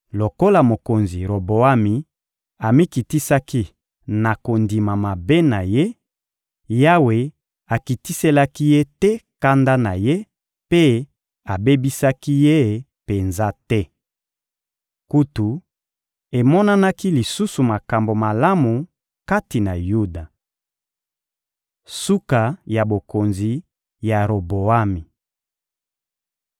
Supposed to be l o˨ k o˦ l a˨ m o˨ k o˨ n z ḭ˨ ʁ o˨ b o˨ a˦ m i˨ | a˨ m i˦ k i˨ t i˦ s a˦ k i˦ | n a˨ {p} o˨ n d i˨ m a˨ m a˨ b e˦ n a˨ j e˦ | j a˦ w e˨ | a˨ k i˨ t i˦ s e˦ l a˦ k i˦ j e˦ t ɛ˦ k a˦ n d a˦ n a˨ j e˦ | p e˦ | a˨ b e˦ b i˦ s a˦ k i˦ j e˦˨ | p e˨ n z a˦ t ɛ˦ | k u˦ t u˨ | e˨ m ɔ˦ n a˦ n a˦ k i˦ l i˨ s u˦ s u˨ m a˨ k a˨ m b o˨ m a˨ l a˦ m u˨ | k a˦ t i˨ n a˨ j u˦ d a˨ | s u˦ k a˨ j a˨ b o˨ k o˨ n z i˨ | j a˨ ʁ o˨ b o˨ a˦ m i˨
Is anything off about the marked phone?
yes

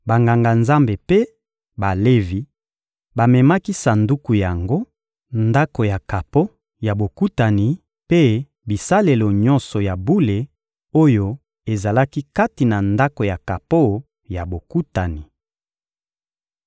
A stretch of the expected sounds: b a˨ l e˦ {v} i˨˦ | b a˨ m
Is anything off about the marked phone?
no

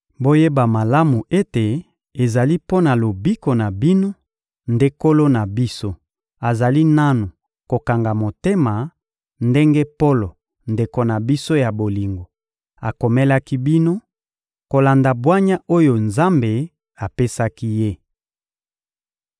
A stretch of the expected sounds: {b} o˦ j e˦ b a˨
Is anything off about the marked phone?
no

